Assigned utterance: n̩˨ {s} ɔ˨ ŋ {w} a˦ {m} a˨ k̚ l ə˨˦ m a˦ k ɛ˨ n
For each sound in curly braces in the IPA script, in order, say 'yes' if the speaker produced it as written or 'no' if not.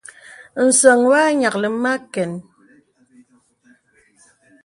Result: yes, yes, no

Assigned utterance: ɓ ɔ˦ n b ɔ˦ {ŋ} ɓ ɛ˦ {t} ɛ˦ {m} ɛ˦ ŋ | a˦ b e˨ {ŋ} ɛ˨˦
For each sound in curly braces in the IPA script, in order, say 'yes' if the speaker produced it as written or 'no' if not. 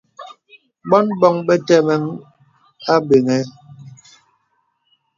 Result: yes, yes, yes, yes

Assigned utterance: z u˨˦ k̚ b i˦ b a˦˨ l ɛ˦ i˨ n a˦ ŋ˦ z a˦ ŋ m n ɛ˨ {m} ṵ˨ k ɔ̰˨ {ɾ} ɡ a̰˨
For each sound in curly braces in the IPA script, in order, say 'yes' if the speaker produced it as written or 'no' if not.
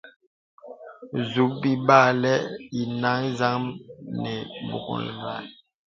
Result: no, no

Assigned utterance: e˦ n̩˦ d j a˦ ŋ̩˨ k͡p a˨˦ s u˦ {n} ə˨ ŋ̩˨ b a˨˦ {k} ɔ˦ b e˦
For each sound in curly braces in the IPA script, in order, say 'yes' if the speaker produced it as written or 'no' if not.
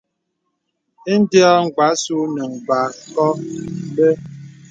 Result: yes, yes

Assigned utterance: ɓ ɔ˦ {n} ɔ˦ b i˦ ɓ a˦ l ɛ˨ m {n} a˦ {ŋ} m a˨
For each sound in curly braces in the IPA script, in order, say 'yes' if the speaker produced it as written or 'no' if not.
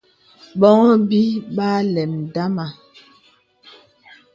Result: no, no, no

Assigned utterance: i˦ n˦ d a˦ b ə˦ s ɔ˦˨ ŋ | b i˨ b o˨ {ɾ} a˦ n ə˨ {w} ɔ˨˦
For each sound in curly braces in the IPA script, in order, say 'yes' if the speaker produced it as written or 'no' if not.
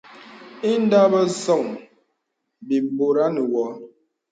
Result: yes, yes

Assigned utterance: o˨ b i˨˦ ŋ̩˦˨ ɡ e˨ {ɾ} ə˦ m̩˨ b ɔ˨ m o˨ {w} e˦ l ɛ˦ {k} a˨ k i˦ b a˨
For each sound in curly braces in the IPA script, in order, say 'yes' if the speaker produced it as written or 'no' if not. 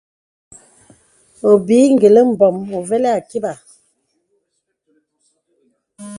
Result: no, no, no

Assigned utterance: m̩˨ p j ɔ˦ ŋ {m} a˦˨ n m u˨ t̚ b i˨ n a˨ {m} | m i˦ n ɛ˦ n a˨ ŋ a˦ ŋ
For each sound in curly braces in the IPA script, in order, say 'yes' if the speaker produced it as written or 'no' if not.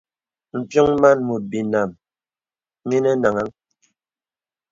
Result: yes, yes

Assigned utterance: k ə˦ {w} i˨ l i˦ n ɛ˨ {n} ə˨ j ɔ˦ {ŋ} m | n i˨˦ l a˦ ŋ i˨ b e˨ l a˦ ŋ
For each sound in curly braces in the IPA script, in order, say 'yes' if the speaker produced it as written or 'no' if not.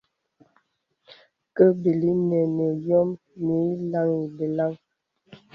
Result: no, yes, no

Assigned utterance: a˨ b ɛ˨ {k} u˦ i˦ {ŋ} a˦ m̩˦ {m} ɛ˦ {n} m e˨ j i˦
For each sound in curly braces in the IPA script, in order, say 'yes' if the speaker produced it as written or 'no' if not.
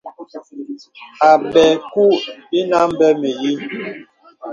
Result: yes, no, no, no

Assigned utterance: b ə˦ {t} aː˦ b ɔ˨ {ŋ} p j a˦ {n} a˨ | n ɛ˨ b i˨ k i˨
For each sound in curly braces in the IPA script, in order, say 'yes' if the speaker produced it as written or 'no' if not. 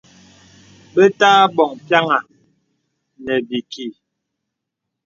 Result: yes, yes, no

